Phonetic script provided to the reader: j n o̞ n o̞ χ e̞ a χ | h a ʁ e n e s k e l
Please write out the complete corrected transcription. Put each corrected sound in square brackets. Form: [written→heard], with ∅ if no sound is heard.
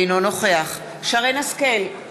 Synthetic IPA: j n o̞ n o̞ χ e̞ a χ | [h→ʃ] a ʁ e n [e→a] s k e l